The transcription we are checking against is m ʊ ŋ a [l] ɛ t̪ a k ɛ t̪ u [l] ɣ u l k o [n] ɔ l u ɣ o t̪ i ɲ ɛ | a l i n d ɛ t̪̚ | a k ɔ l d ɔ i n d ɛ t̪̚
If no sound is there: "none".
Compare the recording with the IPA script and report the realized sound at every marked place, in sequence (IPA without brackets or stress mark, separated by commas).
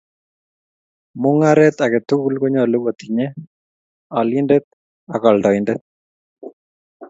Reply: ɾ, none, ɲ